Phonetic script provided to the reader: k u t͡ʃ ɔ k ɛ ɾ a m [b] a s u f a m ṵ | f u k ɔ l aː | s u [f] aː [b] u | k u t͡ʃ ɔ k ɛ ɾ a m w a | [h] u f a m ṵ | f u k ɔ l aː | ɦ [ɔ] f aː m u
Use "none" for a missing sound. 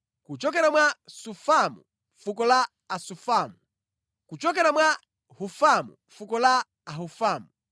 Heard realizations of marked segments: w, f, m, h, u

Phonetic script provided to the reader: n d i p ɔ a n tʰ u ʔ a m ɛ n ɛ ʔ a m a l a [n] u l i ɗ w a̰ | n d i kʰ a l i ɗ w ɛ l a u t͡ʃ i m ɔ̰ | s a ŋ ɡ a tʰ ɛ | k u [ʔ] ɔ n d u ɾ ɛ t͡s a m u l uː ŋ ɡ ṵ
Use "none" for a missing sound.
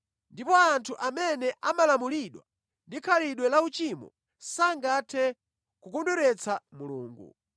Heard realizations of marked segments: m, k

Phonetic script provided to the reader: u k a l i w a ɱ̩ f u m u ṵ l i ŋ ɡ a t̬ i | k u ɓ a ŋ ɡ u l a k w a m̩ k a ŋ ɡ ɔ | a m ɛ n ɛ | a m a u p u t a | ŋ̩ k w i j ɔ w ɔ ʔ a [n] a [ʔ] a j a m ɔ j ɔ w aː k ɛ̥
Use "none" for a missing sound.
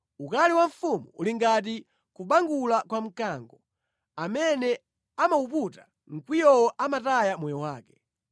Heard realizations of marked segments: m, t

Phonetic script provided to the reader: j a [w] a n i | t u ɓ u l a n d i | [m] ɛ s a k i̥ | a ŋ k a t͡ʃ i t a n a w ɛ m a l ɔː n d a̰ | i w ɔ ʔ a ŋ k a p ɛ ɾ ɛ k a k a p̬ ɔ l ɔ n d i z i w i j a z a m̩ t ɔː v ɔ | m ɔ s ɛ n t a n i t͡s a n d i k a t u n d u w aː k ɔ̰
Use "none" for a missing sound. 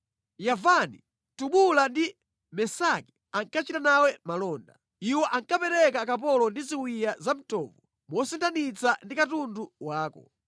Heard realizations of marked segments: v, m

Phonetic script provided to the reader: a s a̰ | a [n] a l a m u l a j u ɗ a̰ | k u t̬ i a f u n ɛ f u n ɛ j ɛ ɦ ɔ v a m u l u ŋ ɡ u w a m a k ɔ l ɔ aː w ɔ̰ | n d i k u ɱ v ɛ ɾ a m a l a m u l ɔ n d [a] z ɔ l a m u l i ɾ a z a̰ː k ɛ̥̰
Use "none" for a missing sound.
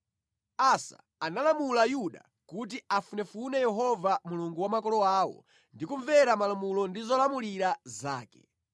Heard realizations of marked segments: n, i

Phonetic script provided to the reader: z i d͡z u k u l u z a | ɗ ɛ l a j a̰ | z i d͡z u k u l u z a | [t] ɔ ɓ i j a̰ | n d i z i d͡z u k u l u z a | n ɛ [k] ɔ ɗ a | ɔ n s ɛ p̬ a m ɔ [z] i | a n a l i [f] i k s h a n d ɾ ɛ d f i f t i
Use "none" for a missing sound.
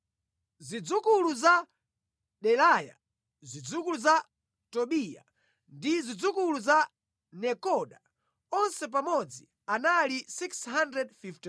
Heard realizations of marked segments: t, k, d͡z, s

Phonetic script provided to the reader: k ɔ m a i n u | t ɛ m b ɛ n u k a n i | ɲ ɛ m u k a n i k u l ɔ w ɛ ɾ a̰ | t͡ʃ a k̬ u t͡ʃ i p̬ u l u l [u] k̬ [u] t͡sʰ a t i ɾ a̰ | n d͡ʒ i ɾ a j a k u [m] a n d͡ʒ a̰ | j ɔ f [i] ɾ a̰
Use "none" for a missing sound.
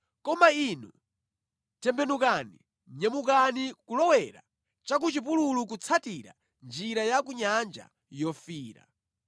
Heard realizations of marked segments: u, u, ɲ, iː

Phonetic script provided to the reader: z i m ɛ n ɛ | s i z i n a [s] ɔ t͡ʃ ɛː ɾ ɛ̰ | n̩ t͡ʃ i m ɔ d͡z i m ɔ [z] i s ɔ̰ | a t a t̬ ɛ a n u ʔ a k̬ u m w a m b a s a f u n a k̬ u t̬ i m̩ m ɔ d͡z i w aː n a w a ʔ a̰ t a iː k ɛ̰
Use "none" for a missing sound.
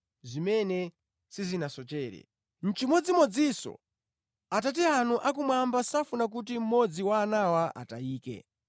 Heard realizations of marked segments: s, d͡z

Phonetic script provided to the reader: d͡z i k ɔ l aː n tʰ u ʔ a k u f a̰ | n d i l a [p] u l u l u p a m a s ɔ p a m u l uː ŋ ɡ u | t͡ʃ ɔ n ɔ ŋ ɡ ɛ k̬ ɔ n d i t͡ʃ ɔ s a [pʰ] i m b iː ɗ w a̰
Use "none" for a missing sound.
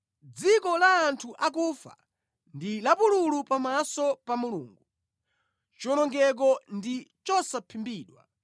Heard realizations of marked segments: p, pʰ

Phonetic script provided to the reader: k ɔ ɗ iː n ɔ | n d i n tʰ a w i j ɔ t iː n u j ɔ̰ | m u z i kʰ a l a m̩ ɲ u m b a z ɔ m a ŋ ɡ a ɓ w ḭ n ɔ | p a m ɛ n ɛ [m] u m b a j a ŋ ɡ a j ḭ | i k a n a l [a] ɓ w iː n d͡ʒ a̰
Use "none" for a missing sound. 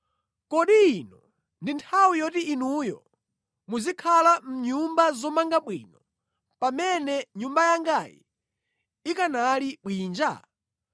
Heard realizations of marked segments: ɲ, i

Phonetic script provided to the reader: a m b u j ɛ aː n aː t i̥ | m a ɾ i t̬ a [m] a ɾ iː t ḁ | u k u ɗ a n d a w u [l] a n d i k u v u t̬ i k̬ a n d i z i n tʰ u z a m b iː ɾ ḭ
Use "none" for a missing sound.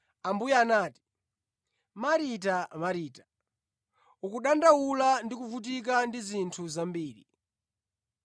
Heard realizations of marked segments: m, l

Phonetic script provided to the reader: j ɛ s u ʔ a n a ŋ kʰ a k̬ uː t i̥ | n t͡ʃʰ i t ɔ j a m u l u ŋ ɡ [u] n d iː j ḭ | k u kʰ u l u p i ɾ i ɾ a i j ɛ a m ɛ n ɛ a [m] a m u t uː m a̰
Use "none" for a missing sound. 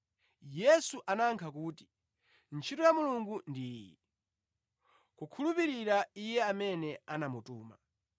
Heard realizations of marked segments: u, n

